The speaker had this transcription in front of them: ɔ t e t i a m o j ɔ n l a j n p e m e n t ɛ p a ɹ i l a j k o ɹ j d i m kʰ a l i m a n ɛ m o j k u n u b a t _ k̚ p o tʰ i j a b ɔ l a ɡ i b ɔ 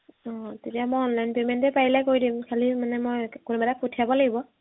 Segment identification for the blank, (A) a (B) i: A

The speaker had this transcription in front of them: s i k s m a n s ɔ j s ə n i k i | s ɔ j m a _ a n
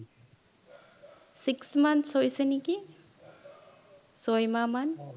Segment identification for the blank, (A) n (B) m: B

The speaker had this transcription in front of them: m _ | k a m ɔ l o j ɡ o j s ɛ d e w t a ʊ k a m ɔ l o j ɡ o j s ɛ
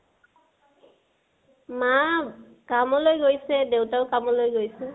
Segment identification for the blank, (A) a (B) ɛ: A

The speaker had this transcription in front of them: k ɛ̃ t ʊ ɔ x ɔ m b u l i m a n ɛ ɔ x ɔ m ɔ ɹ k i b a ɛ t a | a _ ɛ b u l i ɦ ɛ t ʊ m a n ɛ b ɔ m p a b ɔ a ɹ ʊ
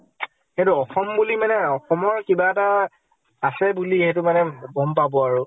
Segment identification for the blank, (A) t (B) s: B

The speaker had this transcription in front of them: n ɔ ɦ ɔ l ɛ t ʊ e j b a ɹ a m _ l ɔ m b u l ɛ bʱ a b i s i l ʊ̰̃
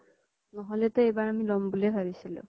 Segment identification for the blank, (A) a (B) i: B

